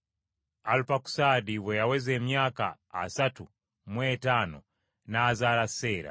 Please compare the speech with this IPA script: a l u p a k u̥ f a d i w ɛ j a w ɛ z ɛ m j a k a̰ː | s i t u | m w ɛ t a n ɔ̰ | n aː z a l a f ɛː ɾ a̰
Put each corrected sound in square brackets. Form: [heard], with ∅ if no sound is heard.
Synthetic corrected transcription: a l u p a k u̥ [s] a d i w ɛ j a w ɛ z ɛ m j a k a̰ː | s [a] t u | m w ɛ t a n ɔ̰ | n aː z a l a [s] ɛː ɾ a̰